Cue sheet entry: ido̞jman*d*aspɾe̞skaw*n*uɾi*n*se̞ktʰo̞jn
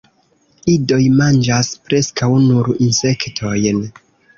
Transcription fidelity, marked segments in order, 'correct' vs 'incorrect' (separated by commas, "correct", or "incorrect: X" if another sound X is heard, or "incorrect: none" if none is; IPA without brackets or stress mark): incorrect: d͡ʒ, correct, correct